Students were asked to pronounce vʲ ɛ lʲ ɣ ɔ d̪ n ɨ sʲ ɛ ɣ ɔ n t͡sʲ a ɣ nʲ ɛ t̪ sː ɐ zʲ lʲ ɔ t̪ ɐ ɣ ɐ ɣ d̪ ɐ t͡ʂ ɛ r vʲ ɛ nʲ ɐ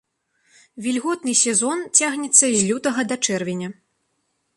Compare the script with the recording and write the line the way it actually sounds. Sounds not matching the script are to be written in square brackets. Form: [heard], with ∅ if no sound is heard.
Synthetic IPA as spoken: vʲ [i] lʲ ɣ ɔ [t̪] n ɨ sʲ ɛ [z] ɔ n t͡sʲ a ɣ nʲ ɛ t̪ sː ɐ zʲ lʲ [u] t̪ ɐ ɣ ɐ [∅] d̪ ɐ t͡ʂ ɛ r vʲ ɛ nʲ ɐ